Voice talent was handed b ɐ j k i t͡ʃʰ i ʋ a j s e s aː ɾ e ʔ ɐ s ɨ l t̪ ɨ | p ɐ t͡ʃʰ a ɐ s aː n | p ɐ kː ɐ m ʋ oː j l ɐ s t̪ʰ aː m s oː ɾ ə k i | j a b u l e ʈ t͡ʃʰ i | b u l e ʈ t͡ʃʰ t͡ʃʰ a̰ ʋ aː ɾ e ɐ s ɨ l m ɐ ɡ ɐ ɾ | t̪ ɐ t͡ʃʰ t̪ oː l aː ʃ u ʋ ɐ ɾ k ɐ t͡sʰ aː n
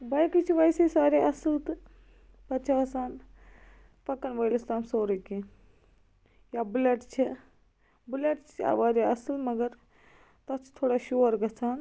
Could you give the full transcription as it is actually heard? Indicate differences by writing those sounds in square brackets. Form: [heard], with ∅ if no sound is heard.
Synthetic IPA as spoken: b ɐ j k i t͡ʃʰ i ʋ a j s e s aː ɾ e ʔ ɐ s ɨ l t̪ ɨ | p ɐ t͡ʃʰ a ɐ s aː n | p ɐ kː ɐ [n] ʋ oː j l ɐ s [t̪] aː m s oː ɾ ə k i | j a b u l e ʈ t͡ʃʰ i | b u l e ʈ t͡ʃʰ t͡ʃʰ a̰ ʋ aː ɾ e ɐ s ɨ l m ɐ ɡ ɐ ɾ | t̪ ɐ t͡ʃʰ [t̪ʰ] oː [ɽ] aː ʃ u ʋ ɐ ɾ [ɡ] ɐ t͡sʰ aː n